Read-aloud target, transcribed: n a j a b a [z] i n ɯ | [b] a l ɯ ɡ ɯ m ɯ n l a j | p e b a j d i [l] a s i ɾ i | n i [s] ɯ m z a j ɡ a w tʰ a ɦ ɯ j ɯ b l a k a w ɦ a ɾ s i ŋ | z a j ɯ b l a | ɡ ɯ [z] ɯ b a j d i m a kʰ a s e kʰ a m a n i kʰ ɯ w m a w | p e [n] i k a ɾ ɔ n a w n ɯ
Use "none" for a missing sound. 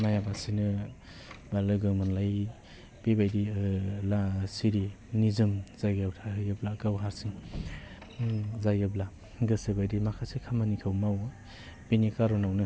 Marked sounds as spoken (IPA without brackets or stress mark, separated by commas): s, b, l, z, s, n